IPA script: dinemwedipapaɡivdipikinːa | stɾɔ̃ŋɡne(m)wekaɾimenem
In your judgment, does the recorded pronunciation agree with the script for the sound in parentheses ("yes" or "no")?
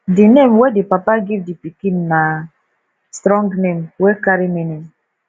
yes